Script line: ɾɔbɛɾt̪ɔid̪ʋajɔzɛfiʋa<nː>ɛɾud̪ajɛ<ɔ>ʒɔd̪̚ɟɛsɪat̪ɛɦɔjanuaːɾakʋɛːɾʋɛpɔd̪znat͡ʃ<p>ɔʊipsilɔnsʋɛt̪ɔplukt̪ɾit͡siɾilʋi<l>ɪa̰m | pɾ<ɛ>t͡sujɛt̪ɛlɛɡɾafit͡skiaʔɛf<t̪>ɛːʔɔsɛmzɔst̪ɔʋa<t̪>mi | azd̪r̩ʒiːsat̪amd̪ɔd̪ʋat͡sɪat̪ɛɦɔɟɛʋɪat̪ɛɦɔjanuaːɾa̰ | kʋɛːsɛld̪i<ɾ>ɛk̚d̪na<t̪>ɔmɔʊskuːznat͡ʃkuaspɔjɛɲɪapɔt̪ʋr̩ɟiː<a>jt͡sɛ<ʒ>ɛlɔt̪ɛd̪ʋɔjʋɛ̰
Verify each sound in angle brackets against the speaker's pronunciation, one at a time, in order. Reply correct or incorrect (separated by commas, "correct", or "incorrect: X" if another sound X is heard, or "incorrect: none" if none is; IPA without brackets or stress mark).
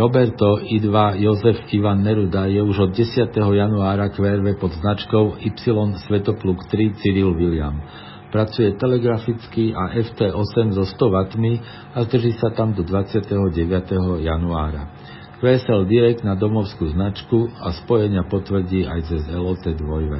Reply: correct, incorrect: u, incorrect: k, correct, incorrect: a, correct, correct, correct, incorrect: d̪, correct, incorrect: z